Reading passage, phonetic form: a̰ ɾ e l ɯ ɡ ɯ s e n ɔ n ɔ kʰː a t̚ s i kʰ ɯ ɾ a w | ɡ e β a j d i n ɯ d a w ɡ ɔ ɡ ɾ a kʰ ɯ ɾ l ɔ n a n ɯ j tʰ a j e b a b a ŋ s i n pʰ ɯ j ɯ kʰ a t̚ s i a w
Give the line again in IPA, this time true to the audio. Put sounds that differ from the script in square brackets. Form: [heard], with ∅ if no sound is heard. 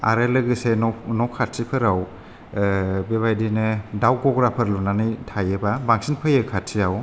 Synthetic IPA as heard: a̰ ɾ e l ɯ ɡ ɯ s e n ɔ n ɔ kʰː a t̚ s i [pʰ] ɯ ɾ a w | [b] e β a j d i n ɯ d a w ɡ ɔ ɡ ɾ a [pʰ] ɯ ɾ l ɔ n a n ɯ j tʰ a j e b a b a ŋ s i n pʰ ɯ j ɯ kʰ a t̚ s i a w